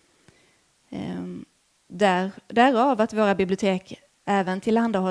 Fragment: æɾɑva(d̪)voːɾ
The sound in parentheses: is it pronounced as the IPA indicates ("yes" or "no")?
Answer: no